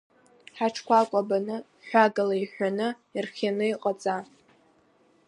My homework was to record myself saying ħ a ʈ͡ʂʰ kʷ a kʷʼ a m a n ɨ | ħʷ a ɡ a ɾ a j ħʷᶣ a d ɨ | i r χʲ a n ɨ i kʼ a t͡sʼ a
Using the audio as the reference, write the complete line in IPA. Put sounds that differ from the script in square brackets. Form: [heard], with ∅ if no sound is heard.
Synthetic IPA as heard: ħ a ʈ͡ʂʰ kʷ a kʷʼ a [b] a n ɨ | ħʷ a ɡ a [l] a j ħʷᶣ a [n] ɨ | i r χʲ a n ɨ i [qʼ] a t͡sʼ a